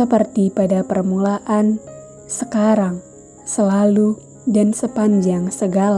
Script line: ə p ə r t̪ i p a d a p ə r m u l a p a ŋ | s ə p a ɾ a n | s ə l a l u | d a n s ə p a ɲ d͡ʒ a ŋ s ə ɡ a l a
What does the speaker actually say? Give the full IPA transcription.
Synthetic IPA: ə p ə r t̪ i p a d a p ə r m u l a ʔ a n | s ə k a ɾ a ŋ | s ə l a l u | d a n s ə p a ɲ d͡ʒ a ŋ s ə ɡ a l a